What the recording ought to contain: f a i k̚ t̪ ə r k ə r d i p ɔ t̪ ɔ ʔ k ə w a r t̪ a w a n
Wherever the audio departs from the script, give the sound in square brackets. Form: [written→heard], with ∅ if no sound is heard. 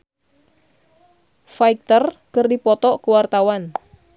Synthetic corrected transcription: f a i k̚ t̪ ə r k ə r d i p ɔ t̪ ɔ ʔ k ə w a r t̪ a w a n